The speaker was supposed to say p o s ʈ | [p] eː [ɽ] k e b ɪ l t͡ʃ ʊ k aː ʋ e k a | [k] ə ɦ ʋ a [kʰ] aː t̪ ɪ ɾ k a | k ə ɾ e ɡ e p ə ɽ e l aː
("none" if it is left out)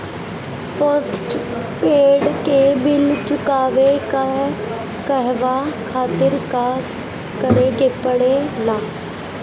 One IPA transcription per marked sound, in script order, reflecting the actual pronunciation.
p, ɽ, k, kʰ

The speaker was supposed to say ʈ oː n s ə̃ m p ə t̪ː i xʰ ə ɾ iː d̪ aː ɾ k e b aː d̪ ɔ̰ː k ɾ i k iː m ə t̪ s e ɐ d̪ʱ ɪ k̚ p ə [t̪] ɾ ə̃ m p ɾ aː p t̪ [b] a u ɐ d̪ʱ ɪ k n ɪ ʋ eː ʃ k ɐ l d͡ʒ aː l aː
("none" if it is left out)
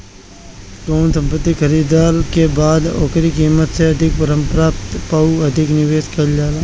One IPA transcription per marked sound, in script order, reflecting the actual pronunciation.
none, p

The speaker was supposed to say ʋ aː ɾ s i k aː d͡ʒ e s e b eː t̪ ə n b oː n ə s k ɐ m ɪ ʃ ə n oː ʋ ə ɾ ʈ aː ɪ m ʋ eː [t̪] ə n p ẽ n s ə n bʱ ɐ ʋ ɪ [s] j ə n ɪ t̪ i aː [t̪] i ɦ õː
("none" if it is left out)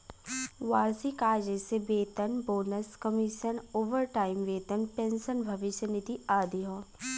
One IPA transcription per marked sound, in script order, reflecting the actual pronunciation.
t̪, ʃ, d̪

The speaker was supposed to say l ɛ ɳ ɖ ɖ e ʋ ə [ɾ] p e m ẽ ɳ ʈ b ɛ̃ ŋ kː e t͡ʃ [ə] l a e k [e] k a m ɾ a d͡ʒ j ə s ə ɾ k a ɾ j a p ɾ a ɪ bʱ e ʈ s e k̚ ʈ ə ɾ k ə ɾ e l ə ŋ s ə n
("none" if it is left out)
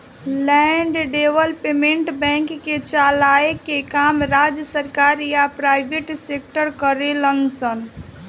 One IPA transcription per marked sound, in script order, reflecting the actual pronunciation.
l, a, e

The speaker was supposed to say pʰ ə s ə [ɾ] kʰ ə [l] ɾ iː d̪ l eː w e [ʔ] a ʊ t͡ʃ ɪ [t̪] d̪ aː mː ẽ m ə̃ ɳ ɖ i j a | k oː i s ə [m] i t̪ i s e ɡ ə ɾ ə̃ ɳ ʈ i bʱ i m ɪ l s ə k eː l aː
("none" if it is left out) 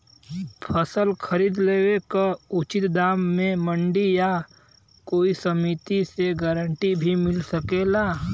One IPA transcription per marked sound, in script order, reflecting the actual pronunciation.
l, none, k, t̪, m

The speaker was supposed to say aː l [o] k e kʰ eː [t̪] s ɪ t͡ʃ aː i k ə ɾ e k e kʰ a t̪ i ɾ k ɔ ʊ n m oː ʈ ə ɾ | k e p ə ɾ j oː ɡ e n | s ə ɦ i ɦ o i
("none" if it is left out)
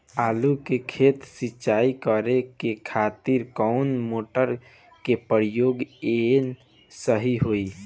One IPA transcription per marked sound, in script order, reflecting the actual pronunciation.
u, t̪

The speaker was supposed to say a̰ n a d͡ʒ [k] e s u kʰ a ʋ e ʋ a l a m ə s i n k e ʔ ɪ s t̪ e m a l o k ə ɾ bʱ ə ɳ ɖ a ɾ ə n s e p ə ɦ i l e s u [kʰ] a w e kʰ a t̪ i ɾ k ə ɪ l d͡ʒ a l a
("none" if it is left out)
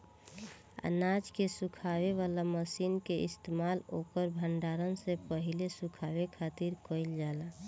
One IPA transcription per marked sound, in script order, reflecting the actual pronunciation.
k, kʰ

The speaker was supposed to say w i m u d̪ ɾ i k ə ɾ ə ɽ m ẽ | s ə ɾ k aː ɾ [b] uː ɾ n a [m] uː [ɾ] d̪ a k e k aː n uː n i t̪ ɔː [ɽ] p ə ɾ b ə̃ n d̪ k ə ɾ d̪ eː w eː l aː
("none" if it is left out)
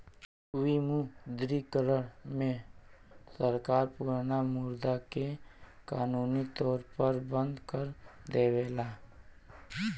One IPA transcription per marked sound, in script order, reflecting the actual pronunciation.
p, m, ɾ, ɾ

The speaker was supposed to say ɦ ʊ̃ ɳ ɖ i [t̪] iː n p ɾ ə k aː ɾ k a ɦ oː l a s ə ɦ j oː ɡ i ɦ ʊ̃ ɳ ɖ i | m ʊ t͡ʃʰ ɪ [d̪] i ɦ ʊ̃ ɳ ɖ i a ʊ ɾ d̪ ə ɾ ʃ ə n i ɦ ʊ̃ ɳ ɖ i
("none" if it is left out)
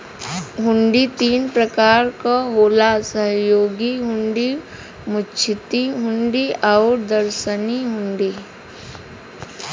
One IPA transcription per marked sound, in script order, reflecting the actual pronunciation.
t̪, t̪

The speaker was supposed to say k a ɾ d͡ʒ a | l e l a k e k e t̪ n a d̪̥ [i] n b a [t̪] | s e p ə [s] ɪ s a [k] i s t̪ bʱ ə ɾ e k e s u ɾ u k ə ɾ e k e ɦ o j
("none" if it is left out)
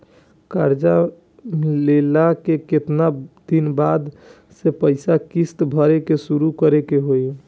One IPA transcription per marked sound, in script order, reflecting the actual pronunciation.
i, d̪, none, k

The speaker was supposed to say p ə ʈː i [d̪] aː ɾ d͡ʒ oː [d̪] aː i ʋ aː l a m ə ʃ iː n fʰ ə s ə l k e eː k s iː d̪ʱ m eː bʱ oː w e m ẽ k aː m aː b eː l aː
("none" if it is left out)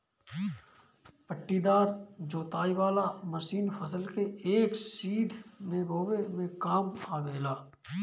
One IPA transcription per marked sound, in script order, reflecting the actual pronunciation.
d̪, t̪

